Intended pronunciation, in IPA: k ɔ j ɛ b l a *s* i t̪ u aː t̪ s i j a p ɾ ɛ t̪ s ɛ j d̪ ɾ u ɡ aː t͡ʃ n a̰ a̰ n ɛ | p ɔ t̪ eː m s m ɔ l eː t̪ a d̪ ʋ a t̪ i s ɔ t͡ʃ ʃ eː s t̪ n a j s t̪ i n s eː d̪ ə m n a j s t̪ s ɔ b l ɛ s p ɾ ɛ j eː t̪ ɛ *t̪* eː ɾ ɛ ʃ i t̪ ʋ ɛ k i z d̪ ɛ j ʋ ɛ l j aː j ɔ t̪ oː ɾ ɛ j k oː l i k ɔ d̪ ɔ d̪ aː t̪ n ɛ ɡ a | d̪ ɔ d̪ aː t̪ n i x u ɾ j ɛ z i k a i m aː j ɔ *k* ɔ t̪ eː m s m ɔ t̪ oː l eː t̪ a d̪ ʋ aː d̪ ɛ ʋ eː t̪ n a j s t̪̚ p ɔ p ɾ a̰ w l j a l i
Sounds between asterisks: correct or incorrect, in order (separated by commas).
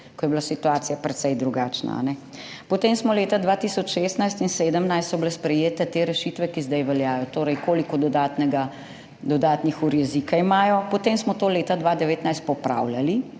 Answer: correct, correct, incorrect